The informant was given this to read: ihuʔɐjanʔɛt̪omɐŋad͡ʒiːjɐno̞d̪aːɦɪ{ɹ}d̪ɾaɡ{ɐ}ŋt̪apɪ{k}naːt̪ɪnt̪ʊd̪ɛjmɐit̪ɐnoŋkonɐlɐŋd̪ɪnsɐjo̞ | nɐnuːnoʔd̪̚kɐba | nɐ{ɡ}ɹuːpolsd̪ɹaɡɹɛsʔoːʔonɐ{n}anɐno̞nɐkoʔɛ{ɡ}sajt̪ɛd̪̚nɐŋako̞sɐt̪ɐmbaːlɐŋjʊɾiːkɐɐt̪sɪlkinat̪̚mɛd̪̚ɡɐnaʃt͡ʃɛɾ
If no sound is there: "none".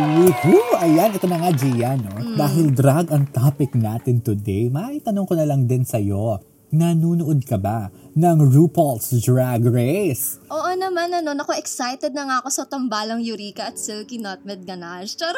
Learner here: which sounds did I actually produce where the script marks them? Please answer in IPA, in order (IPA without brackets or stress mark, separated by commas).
l, ɐ, k, ŋ, m, k